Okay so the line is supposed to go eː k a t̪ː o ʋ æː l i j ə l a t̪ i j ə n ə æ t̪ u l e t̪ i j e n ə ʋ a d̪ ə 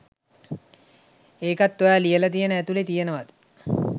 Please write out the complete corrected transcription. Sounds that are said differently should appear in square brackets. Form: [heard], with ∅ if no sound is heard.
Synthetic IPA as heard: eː k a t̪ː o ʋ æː l i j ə l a t̪ i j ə n ə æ t̪ u l e t̪ i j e n ə ʋ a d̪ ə